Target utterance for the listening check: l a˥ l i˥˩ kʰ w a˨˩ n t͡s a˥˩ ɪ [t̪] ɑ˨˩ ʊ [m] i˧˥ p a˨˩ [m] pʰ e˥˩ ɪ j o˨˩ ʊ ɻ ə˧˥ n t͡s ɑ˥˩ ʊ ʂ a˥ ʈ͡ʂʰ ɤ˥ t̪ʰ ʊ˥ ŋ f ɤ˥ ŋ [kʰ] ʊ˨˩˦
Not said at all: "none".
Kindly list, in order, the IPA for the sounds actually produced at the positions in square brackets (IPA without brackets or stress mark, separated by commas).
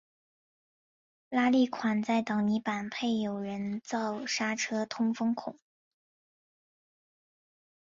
t̪, n, n, kʰ